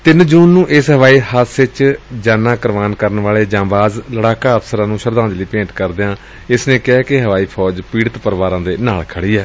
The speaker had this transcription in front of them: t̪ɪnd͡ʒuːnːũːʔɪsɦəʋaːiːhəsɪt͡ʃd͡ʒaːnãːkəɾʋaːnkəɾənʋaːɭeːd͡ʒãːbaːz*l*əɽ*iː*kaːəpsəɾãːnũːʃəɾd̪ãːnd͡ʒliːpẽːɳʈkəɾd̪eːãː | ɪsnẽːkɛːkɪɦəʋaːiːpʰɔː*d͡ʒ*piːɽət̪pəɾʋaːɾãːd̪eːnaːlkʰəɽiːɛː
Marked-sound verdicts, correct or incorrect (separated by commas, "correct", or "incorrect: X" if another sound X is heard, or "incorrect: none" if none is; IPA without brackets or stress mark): correct, incorrect: aː, correct